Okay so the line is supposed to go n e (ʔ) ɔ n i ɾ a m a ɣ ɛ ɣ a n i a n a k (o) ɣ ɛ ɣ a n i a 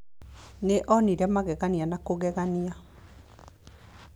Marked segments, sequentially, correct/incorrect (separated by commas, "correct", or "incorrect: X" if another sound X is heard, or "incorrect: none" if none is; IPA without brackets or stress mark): correct, correct